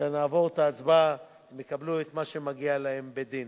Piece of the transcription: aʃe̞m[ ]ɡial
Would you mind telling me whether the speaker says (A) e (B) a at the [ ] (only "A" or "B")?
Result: B